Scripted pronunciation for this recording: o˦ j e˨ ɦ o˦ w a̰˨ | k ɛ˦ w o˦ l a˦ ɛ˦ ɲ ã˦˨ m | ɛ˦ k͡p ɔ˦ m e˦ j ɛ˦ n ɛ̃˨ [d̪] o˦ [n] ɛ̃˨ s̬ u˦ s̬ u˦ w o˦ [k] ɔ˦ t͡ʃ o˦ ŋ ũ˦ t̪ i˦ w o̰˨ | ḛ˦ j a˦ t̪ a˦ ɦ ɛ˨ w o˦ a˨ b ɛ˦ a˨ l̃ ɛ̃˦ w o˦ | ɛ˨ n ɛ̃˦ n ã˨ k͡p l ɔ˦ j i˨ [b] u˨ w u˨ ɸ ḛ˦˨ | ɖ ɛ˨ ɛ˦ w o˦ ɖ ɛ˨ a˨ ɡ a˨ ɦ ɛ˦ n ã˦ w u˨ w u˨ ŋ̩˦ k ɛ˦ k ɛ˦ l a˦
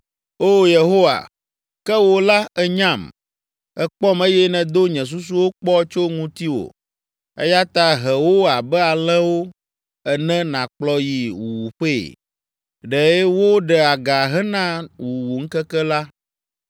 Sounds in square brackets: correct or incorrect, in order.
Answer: correct, incorrect: ɲ, incorrect: k͡p, incorrect: w

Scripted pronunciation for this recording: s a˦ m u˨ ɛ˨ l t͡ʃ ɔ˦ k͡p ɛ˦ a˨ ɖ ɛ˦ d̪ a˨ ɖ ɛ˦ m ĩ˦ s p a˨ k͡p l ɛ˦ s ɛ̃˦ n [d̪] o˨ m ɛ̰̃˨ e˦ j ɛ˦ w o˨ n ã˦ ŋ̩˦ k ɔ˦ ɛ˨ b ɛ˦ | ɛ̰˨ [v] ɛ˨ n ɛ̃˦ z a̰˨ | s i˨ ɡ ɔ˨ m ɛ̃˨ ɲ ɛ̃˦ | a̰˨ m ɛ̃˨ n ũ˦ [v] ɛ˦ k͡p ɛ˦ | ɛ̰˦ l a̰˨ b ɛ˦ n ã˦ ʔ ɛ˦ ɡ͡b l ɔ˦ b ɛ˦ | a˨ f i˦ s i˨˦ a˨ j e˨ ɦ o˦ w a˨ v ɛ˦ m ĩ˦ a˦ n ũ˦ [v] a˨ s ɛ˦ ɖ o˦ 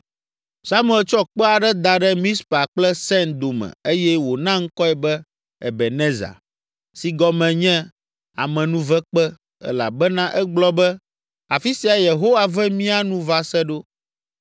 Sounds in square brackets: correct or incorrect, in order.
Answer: correct, incorrect: b, correct, correct

